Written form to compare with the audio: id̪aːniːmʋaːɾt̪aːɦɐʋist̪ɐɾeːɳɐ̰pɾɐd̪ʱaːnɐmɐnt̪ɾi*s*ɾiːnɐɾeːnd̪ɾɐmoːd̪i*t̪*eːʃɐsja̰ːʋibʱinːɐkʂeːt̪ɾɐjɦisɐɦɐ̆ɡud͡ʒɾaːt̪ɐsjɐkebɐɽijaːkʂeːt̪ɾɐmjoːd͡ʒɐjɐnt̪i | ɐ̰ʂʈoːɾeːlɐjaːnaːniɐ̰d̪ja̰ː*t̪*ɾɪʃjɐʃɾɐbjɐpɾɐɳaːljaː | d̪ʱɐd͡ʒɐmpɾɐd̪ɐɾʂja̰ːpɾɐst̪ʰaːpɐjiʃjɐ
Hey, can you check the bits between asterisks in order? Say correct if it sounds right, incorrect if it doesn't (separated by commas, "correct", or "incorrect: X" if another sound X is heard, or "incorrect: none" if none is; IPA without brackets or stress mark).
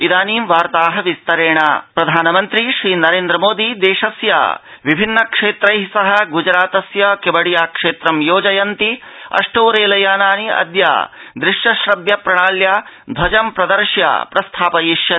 incorrect: ʃ, incorrect: d̪, incorrect: d̪